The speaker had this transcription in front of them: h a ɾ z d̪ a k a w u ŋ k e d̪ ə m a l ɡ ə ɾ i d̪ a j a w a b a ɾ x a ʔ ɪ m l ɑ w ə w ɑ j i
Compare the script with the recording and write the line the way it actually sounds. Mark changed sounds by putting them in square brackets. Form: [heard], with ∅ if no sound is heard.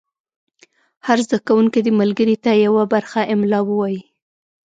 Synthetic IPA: h a ɾ z d̪ a k a w u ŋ k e d̪ ə m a l ɡ ə ɾ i [t̪] a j a w a b a ɾ x a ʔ ɪ m l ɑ w ə w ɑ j i